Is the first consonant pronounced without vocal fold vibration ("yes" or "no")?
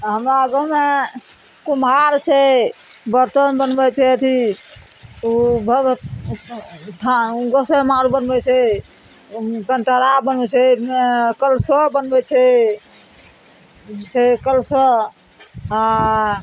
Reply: no